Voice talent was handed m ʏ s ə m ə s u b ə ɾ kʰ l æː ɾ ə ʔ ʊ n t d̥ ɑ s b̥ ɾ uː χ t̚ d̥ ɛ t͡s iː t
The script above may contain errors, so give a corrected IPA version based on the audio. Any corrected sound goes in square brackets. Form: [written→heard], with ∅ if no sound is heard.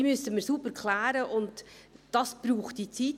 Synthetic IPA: m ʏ s ə m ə s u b ə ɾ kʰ l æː ɾ ə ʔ ʊ n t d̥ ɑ s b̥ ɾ uː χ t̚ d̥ [ɛ→i] t͡s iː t